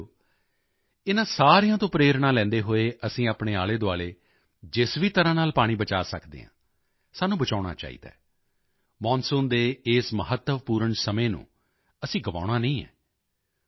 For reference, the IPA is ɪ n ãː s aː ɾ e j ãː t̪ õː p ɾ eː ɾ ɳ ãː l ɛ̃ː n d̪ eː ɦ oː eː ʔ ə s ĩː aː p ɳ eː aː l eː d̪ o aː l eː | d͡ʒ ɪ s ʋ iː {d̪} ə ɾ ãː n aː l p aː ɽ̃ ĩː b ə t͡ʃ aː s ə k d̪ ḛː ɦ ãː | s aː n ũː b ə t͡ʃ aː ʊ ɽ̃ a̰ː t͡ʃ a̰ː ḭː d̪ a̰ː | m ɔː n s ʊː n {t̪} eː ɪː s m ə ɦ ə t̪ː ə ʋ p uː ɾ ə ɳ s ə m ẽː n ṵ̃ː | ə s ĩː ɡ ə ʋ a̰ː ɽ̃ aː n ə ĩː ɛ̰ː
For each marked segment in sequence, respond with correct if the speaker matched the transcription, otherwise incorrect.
incorrect: t̪, incorrect: d̪

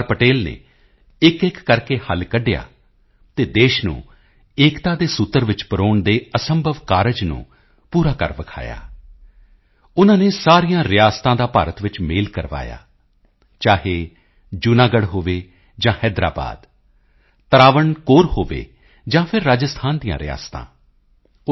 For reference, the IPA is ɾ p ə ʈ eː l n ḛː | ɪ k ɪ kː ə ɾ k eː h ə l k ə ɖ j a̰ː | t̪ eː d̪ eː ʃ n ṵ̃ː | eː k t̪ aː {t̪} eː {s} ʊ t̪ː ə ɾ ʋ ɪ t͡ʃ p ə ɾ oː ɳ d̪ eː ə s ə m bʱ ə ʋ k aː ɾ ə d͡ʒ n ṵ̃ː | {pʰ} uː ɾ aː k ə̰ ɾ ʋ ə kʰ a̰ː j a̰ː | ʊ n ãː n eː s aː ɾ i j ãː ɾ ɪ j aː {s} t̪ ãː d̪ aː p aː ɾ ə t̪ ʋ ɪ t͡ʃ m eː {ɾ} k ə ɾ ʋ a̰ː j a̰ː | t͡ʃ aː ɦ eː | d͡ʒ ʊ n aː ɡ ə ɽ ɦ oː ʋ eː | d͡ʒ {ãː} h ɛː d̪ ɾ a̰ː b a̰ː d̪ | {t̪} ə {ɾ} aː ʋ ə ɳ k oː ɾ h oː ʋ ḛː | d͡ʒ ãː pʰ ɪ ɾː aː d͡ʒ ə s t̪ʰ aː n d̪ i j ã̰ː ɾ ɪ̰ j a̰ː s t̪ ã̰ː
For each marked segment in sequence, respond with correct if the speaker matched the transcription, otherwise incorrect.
incorrect: d̪, correct, incorrect: p, correct, incorrect: l, correct, correct, correct

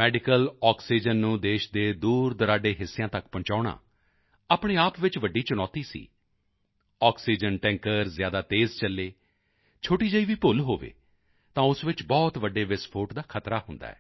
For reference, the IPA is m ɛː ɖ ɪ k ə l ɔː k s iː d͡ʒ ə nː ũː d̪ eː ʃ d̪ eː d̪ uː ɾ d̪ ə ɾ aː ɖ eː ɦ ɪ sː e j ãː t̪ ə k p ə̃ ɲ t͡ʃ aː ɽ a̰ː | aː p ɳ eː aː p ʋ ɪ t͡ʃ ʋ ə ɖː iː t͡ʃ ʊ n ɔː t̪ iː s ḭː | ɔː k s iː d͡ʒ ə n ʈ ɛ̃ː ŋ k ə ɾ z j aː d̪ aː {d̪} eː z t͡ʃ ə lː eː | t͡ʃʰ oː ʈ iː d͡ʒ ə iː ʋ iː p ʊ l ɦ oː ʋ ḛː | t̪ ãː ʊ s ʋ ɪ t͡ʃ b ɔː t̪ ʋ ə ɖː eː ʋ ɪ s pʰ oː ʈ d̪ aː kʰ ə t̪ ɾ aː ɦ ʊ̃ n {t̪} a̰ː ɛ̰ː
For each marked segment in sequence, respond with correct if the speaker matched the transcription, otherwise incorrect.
incorrect: t̪, incorrect: d̪

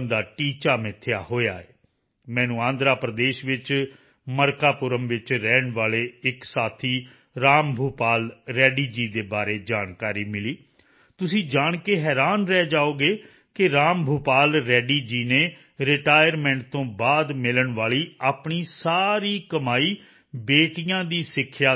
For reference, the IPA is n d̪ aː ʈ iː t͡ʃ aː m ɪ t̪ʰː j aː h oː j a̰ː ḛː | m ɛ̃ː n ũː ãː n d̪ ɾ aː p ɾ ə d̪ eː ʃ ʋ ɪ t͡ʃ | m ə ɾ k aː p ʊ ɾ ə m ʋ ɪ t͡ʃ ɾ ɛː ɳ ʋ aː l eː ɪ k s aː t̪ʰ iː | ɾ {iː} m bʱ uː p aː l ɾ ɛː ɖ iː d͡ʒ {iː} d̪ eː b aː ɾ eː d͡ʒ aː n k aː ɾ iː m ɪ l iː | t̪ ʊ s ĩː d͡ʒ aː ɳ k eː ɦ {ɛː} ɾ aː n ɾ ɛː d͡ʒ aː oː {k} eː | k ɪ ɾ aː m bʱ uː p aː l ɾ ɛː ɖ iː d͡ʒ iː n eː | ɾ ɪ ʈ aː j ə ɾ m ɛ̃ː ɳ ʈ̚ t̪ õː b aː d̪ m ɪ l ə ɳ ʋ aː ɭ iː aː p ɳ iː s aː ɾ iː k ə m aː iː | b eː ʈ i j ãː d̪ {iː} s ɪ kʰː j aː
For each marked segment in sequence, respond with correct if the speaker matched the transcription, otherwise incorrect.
incorrect: aː, correct, correct, incorrect: ɡ, correct

